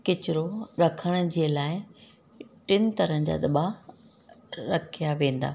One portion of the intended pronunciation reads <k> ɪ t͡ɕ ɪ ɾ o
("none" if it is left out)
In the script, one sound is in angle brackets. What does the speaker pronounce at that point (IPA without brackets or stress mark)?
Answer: k